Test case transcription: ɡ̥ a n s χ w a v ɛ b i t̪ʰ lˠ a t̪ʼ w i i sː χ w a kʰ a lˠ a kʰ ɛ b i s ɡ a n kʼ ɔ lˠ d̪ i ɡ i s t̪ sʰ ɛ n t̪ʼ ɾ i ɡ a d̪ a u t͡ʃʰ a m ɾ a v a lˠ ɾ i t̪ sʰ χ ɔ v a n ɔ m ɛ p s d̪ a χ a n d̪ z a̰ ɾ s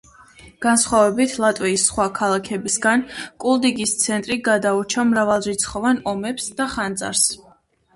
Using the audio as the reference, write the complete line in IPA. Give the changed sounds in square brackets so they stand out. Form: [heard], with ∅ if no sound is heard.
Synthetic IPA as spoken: ɡ̥ a n s χ w a v ɛ b i t̪ʰ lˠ a t̪ʼ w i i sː χ w a kʰ a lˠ a kʰ ɛ b i s ɡ a n kʼ [u] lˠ d̪ i ɡ i s t̪ sʰ ɛ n t̪ʼ ɾ i ɡ a d̪ a u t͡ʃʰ a m ɾ a v a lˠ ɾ i t̪ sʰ χ ɔ v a n ɔ m ɛ p s d̪ a χ a n d̪ z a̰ ɾ s